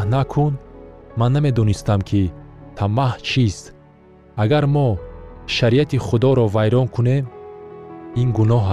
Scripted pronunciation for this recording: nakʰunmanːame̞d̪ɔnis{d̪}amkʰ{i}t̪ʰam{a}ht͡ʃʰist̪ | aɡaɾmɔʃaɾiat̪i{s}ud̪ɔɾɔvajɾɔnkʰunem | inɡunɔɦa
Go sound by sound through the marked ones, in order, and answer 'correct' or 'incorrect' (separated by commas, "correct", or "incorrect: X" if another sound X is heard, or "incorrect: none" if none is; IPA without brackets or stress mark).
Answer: incorrect: t̪, correct, correct, incorrect: χ